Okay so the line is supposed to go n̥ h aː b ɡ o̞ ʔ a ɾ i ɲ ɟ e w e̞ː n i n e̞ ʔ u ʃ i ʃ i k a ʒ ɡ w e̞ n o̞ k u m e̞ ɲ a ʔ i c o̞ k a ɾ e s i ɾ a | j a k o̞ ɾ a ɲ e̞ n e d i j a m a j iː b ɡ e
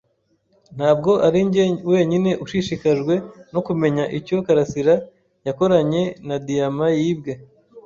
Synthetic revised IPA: n̥ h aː b ɡ o̞ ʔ a ɾ i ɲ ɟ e w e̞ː ɲ i n e̞ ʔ u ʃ i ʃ i k a ʒ ɡ w e̞ n o̞ k u m e̞ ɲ a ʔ i c o̞ k a ɾ a s i ɾ a | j a k o̞ ɾ a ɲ e̞ n a d i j a m a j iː b ɡ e